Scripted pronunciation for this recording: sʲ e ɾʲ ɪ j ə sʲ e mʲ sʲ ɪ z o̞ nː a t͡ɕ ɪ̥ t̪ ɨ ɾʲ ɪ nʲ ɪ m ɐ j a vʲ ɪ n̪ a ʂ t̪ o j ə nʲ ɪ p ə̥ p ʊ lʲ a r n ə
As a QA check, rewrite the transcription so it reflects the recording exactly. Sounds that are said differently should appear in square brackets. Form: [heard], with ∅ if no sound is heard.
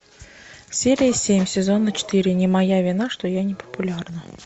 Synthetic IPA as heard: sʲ e ɾʲ ɪ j ə sʲ e mʲ sʲ ɪ z o̞ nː [ə] t͡ɕ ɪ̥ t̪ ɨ ɾʲ ɪ nʲ ɪ m ɐ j a vʲ ɪ n̪ a ʂ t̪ o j [a] nʲ ɪ p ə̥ p ʊ lʲ a r n ə